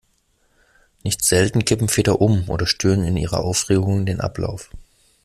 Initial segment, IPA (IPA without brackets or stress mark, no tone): n